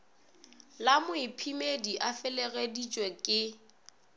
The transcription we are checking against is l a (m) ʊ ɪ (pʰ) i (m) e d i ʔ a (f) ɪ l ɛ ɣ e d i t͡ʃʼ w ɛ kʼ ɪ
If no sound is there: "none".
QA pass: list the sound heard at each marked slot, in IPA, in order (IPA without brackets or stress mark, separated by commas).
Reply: m, pʰ, m, f